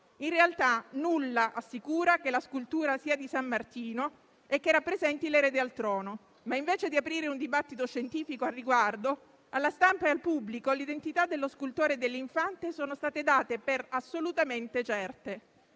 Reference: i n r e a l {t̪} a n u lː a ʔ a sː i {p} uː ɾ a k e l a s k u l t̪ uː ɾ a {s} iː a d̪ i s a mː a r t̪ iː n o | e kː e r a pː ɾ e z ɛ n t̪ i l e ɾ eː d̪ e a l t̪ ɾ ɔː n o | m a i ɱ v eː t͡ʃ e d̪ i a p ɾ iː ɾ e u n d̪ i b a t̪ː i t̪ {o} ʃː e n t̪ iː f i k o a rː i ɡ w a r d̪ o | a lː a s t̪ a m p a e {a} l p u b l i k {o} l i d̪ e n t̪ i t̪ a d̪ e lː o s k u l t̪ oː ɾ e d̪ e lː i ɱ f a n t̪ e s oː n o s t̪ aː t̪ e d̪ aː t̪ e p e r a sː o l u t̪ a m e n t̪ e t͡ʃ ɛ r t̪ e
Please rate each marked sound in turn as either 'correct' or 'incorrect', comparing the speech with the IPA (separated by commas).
correct, incorrect, correct, correct, correct, correct